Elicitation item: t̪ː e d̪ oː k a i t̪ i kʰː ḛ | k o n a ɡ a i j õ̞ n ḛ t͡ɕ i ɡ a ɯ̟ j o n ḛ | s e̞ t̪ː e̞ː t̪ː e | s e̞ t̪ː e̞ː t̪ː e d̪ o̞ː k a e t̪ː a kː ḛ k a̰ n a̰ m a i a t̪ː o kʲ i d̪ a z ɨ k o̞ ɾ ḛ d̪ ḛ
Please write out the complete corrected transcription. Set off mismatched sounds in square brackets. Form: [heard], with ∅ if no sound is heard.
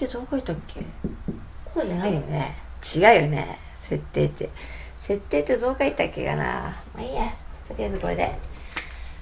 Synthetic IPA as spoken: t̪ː e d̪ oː k a i t̪ [a] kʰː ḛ | k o n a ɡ a i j [o̞] n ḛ t͡ɕ i ɡ a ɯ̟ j o n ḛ | s e̞ t̪ː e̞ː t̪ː e | s e̞ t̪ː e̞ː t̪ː e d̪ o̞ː k a [i] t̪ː a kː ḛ k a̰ n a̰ m a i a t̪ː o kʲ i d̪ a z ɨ k o̞ ɾ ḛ d̪ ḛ